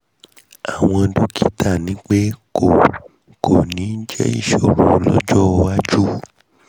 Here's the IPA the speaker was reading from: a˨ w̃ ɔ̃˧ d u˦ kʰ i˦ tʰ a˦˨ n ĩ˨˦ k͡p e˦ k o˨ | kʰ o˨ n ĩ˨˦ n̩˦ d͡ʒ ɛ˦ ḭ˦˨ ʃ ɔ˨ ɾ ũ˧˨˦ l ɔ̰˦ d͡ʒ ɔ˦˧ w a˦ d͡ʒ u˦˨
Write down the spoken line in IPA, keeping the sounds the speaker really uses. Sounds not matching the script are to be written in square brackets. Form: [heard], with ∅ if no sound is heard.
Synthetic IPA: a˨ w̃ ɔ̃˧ d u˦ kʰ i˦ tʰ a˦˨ n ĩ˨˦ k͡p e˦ k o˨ | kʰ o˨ n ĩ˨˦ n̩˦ d͡ʒ ɛ˦ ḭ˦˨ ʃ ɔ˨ ɾ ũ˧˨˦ l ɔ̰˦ d͡ʒ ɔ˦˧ w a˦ d͡ʒ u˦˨